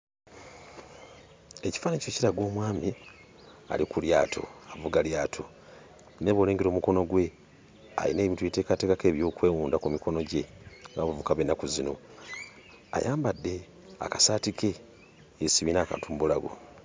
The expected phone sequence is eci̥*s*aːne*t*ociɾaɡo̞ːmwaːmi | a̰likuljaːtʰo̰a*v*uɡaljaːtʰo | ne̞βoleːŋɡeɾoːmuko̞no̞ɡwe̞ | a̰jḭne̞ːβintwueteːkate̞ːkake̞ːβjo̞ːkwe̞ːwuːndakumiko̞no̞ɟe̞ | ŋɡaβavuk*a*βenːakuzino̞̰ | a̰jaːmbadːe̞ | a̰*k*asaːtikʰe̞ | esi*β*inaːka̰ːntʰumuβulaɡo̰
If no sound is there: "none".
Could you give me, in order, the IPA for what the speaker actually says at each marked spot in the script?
f, c, v, a, k, β

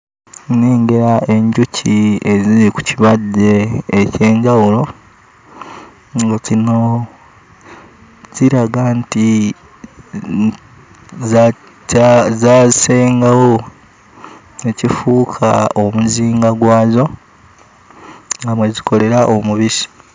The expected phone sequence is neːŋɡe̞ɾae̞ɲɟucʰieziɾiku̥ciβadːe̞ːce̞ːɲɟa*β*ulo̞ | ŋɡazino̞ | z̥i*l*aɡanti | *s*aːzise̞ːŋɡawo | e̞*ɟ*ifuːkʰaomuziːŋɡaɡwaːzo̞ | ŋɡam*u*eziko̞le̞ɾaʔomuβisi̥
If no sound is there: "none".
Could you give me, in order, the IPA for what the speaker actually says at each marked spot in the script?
w, ɾ, z, c, w

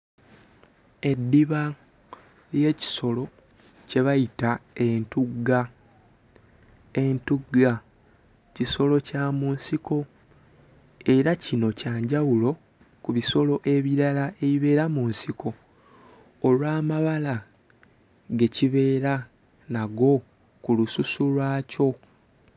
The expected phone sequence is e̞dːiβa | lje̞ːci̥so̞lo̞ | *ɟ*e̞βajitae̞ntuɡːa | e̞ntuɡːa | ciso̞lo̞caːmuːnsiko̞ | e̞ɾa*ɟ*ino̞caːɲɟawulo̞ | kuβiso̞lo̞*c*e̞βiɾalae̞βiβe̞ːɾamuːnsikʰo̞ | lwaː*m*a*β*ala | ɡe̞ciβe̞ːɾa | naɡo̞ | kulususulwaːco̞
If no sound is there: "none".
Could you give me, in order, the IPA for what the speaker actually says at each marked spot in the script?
c, c, ʔ, m, β

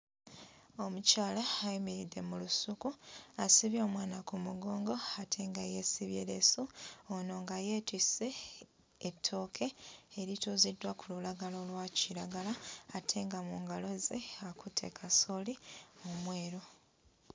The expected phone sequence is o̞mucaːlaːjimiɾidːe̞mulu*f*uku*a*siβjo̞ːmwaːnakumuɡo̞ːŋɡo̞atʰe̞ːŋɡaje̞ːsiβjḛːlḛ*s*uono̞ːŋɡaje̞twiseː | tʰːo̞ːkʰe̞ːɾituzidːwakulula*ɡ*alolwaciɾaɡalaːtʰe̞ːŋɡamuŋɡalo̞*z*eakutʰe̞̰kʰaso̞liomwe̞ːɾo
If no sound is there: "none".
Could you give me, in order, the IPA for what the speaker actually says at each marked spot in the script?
s, a, s, ɡ, z

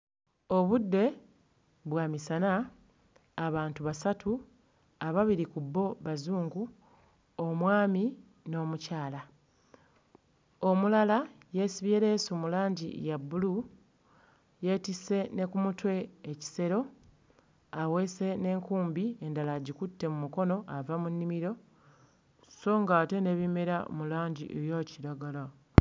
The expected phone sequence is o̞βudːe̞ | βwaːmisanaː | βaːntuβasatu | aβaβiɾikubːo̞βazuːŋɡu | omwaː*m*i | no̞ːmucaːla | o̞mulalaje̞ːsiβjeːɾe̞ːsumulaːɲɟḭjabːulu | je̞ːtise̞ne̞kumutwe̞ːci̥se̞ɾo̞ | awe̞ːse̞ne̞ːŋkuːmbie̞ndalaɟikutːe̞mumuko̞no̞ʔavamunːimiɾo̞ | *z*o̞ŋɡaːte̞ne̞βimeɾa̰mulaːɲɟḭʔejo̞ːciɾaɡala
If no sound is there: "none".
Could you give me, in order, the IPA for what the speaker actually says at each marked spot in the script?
m, s

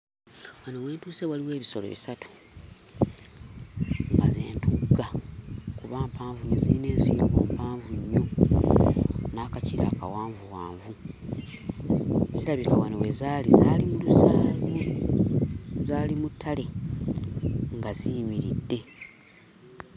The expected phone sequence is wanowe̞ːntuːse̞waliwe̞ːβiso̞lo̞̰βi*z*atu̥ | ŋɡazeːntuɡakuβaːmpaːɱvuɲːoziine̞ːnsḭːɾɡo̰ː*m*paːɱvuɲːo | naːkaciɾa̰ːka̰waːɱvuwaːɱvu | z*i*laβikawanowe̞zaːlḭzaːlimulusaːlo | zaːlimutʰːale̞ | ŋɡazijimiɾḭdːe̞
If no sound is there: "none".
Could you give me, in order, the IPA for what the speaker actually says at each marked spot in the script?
s, m, i

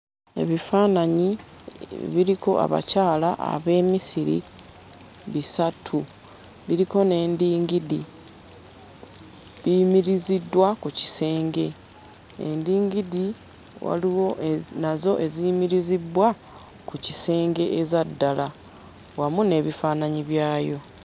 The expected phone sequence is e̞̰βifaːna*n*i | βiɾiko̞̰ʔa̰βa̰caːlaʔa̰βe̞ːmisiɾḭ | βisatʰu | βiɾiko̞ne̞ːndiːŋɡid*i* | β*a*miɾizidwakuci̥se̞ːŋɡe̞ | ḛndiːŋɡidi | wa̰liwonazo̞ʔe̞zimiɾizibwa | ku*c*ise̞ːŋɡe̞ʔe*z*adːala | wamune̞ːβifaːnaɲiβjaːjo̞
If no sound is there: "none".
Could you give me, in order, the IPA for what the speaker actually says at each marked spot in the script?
ɲ, i, i, c, z

